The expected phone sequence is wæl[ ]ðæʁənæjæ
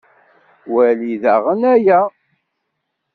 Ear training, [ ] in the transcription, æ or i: i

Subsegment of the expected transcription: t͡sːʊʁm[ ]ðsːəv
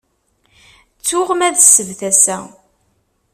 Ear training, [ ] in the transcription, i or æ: æ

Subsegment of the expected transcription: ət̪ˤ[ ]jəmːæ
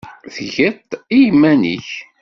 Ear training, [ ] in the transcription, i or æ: i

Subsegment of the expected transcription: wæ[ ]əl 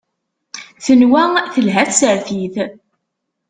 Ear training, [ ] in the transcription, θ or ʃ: θ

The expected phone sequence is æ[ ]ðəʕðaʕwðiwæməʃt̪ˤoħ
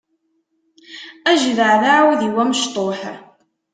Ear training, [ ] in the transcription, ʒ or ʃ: ʒ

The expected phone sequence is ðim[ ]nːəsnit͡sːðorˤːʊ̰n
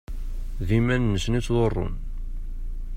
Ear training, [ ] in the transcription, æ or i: æ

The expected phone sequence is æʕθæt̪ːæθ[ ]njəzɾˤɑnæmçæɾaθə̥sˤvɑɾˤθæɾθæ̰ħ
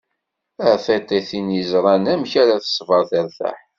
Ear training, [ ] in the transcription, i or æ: i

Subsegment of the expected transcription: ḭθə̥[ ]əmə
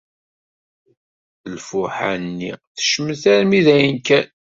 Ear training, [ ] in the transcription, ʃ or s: ʃ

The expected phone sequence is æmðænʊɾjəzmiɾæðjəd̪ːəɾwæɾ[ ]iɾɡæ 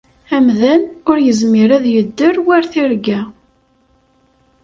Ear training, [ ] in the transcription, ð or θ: θ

